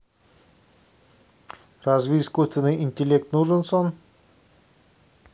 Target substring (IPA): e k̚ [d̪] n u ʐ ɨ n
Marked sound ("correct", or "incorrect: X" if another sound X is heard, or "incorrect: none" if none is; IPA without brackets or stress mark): incorrect: t̪